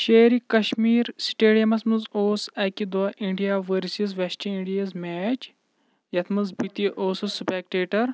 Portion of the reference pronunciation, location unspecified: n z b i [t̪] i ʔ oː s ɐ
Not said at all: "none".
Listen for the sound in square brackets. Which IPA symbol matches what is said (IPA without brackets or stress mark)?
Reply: t̪